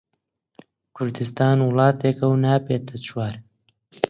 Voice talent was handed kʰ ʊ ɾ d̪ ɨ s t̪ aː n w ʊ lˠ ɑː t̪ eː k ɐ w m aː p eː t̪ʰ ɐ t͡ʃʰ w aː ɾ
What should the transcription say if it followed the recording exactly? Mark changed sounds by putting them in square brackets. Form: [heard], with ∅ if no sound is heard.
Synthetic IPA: kʰ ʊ ɾ d̪ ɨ s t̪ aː n w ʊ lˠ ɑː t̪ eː k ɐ w [n] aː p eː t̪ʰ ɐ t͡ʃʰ w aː ɾ